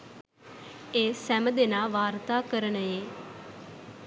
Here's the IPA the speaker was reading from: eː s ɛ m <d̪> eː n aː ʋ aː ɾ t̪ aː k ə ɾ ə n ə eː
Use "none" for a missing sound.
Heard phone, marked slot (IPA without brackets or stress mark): d̪